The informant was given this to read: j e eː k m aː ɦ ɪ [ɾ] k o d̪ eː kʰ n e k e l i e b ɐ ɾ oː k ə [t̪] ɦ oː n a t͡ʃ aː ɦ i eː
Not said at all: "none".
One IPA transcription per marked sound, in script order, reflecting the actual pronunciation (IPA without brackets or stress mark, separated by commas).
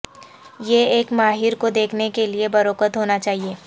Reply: ɾ, t̪